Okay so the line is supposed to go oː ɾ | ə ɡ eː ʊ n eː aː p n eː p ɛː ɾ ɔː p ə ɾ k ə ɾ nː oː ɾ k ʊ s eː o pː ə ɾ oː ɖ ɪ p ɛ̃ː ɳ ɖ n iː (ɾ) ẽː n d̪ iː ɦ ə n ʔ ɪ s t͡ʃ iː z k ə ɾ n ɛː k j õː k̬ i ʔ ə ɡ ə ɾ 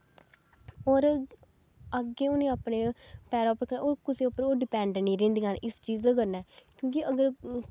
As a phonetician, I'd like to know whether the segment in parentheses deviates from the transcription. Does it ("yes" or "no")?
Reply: no